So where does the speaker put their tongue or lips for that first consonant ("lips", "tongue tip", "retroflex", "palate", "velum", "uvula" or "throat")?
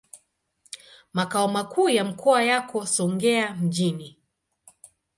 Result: lips